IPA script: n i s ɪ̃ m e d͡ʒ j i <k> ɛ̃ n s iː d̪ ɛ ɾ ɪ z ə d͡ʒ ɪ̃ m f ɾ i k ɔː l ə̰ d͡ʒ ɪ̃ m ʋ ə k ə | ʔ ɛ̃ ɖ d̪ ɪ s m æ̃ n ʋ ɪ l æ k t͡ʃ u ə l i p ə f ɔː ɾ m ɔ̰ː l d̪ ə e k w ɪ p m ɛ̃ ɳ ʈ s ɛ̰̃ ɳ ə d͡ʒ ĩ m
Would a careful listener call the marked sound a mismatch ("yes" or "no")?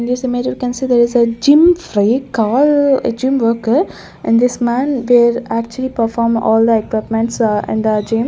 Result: no